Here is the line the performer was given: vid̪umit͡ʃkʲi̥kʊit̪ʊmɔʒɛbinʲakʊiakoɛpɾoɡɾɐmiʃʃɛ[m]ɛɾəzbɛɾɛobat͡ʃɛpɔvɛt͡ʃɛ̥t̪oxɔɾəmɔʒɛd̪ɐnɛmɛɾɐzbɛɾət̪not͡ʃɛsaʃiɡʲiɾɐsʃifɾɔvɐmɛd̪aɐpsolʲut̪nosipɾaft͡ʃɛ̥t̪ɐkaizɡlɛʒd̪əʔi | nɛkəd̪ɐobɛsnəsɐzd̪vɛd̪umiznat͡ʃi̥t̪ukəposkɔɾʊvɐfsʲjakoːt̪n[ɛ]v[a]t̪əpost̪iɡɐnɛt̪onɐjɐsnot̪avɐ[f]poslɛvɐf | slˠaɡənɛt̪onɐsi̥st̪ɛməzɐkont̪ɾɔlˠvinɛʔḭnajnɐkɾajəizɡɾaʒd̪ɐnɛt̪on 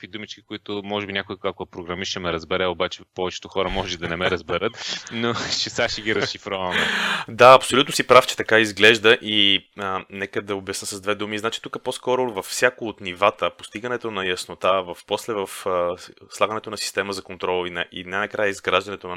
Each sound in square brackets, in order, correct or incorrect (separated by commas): correct, incorrect, correct, correct